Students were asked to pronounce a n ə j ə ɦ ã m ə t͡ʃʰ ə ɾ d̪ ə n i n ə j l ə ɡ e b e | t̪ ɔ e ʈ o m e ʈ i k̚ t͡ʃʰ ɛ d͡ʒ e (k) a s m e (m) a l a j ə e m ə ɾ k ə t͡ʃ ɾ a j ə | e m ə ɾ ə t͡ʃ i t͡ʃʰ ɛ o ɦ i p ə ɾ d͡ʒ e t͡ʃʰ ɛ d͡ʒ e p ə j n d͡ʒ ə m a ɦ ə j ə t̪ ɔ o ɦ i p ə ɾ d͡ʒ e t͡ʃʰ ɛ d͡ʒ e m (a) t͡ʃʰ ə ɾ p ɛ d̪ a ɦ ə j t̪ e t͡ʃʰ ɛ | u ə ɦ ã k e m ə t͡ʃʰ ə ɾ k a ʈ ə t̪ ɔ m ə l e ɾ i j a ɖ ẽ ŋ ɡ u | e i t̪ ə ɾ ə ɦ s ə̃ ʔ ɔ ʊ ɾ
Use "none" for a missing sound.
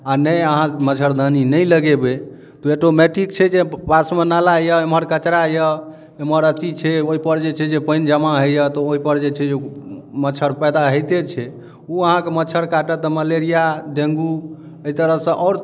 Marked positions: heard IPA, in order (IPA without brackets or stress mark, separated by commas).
p, n, ə